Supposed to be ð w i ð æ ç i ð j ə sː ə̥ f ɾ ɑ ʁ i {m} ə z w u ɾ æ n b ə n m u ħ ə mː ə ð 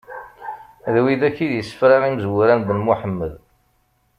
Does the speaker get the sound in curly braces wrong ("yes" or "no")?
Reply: no